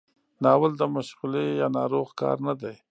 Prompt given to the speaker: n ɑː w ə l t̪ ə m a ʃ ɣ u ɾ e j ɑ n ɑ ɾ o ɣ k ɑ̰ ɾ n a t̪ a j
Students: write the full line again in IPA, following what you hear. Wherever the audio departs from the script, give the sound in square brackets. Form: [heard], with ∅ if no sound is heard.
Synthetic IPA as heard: n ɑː w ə l [d̪] ə m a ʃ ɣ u [l] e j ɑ n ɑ ɾ o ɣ k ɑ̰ ɾ n a [d̪] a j